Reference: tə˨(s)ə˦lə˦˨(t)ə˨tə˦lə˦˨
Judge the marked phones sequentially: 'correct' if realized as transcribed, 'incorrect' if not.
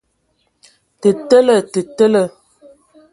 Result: incorrect, correct

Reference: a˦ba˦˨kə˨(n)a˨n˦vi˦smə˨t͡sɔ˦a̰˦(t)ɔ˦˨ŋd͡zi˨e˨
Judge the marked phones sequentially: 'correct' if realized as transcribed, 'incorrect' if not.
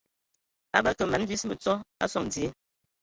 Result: incorrect, incorrect

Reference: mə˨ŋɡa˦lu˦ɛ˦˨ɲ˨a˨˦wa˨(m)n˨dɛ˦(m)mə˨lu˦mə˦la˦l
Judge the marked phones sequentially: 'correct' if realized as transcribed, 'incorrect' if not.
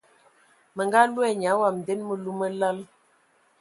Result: correct, incorrect

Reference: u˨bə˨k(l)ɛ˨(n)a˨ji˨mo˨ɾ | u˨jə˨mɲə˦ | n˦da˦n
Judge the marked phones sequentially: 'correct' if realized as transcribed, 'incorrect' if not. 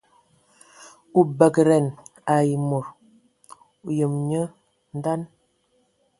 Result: incorrect, correct

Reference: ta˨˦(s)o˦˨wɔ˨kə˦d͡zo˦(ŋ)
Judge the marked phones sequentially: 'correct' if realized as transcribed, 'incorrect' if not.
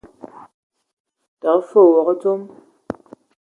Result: incorrect, incorrect

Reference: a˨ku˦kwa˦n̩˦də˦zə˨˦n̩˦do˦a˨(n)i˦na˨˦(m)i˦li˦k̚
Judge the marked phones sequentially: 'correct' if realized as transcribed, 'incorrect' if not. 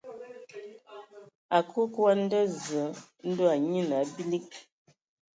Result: incorrect, incorrect

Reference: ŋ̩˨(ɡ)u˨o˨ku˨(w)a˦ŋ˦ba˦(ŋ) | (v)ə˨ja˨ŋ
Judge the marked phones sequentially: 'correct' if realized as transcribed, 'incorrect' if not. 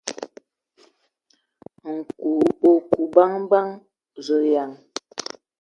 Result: incorrect, incorrect, correct, incorrect

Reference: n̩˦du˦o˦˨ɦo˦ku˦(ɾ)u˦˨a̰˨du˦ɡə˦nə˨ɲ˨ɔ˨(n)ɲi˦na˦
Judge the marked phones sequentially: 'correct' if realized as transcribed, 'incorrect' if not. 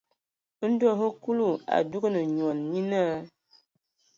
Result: incorrect, correct

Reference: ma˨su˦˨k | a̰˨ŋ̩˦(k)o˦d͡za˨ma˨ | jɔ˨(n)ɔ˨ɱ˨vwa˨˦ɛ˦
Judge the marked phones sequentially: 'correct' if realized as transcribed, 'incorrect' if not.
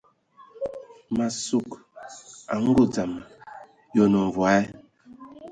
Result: incorrect, correct

